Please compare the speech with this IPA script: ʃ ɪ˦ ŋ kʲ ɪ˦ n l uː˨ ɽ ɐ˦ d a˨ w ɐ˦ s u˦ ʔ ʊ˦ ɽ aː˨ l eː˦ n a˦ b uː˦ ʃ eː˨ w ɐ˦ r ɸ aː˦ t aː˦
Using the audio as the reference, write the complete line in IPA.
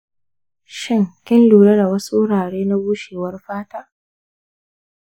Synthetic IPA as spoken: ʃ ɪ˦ ŋ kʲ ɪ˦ n l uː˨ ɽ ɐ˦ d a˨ w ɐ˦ s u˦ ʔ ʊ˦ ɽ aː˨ ɽ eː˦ n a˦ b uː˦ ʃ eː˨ w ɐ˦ r ɸ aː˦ t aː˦